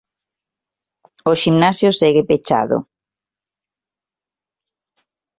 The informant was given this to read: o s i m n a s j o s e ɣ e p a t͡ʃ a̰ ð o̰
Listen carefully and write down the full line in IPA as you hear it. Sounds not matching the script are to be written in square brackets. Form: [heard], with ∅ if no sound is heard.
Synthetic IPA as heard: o [ʃ] i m n a s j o s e ɣ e p [e] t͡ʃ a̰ ð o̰